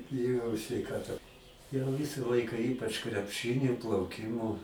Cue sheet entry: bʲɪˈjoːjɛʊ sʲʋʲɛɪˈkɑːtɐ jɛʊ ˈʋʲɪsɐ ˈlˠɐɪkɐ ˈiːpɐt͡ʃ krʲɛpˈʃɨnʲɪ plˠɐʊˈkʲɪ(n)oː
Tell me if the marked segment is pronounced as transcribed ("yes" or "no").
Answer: no